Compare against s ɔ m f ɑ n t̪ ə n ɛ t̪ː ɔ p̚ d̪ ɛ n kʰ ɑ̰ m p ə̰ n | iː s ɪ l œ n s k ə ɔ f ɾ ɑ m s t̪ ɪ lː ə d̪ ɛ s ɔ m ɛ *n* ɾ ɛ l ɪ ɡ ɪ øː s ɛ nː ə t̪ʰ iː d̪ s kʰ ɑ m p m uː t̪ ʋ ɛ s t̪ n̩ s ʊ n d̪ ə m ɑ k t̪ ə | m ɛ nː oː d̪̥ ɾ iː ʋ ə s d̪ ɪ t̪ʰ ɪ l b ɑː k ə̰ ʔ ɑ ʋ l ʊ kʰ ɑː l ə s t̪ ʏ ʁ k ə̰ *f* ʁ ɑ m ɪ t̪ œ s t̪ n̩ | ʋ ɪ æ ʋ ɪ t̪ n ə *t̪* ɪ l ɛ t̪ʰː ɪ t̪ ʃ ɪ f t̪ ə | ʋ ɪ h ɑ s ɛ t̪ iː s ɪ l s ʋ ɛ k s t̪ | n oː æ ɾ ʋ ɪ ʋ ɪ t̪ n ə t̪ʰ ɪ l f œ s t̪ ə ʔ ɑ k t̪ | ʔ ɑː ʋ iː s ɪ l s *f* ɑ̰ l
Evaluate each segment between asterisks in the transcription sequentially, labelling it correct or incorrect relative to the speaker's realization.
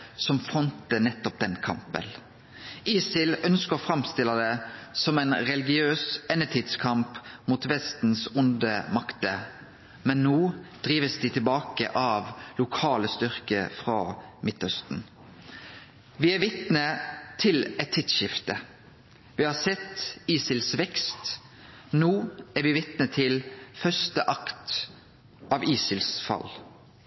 correct, correct, incorrect: t̪ʰ, correct

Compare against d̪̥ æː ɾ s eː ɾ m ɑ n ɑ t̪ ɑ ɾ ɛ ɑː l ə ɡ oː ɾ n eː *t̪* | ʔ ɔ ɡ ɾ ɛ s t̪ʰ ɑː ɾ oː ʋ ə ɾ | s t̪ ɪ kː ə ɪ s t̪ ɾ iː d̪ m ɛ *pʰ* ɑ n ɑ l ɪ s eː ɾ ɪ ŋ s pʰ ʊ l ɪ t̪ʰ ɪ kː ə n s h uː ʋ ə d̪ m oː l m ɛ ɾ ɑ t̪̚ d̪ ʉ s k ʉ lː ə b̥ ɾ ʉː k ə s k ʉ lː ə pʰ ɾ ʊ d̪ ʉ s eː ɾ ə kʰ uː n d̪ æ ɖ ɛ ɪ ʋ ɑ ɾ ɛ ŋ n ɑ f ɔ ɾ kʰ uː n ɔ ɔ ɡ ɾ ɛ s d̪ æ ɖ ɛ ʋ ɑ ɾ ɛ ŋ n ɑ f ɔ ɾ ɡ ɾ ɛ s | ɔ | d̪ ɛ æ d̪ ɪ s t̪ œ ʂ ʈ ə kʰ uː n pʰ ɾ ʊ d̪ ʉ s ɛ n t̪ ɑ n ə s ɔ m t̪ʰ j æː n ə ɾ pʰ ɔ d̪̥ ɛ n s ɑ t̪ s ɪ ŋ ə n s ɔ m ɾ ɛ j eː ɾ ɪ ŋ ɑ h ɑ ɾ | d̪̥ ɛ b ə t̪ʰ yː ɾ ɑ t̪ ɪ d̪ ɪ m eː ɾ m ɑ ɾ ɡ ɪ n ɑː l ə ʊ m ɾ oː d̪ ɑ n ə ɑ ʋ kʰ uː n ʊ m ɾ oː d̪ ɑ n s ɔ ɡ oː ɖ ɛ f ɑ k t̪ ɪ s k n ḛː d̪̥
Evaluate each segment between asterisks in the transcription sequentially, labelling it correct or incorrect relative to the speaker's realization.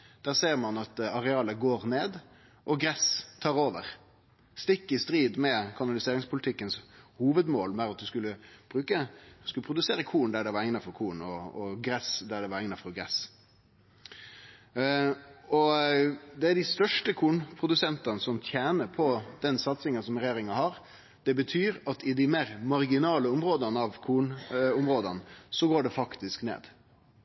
incorrect: d̪, incorrect: kʰ

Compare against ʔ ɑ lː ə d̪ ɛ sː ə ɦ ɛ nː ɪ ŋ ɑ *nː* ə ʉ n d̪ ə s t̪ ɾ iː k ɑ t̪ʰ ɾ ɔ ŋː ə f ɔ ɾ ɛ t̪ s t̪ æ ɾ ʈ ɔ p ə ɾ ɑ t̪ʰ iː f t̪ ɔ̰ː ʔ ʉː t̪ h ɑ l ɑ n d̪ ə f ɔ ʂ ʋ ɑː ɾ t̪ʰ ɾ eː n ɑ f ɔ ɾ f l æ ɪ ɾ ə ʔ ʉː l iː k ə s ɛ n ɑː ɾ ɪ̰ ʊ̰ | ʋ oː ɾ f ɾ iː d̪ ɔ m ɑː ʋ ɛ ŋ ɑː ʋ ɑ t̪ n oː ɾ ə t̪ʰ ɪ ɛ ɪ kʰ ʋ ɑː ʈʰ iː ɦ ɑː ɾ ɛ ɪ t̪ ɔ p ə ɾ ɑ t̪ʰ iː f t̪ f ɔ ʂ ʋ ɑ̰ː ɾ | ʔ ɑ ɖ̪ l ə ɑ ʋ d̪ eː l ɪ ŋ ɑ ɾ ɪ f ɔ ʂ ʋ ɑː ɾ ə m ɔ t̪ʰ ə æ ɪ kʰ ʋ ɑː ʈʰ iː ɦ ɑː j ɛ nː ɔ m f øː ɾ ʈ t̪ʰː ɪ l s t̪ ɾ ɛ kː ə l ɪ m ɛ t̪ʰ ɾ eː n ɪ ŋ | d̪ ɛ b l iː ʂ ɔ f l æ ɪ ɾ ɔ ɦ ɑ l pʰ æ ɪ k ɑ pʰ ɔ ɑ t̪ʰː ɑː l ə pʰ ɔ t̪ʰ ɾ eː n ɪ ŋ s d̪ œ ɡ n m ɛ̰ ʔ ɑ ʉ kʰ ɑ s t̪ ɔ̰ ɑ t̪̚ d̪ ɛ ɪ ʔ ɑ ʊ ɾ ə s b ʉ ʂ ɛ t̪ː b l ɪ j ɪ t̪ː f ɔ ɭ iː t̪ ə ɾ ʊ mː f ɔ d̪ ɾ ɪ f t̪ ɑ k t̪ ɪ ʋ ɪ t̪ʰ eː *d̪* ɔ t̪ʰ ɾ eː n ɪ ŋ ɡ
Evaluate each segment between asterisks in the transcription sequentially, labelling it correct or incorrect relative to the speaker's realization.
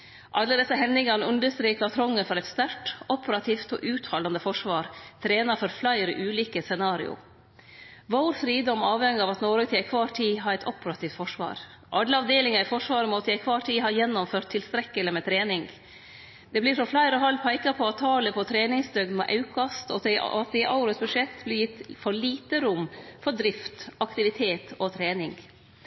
incorrect: n, incorrect: t̪

